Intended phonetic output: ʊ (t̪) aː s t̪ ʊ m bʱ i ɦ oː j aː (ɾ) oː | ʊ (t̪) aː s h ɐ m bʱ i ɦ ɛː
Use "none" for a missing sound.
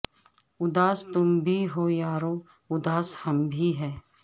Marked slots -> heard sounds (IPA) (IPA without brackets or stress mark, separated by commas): d̪, ɾ, d̪